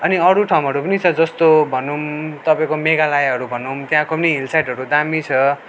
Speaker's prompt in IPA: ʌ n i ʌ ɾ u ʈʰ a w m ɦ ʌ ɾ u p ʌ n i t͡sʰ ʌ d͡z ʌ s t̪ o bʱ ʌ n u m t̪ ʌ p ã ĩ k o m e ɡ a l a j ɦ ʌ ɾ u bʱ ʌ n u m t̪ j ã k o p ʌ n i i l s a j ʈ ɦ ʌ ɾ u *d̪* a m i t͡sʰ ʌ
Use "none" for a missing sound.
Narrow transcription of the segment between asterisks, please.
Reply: d̪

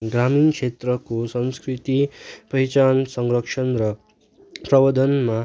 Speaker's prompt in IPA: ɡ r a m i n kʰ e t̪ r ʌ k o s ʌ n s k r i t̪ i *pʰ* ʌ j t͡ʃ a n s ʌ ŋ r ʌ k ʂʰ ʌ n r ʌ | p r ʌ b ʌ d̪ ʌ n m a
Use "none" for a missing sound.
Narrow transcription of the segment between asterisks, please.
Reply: p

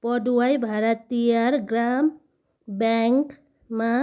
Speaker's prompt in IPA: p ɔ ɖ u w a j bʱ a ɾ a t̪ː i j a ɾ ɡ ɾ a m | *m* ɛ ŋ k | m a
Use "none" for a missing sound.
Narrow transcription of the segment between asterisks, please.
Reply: b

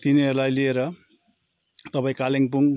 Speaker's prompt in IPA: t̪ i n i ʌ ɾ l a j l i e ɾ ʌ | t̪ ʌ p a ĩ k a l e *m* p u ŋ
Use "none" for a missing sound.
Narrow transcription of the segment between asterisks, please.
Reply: ŋ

